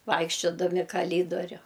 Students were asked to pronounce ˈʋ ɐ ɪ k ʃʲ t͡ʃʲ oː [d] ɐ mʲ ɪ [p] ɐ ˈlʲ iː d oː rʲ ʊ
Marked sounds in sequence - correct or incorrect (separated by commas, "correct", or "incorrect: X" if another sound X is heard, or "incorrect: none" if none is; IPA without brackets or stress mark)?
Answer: correct, incorrect: k